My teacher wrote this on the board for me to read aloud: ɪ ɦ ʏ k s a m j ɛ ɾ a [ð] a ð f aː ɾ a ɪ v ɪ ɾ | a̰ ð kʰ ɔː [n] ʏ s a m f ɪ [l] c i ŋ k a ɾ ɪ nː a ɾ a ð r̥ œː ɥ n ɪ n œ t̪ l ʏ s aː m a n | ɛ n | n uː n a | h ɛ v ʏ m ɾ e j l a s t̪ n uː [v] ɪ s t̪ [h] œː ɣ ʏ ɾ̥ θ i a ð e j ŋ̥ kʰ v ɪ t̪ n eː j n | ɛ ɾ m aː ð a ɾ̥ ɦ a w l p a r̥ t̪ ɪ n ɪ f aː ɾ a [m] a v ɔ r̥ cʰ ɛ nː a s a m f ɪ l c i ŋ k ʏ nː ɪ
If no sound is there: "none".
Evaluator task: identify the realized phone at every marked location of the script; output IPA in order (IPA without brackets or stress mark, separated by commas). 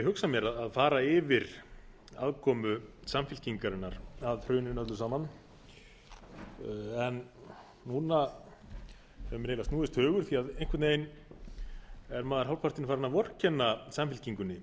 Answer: ð, m, l, ð, h, n